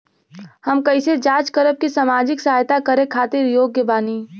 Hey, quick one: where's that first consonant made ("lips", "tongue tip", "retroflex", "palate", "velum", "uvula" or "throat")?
throat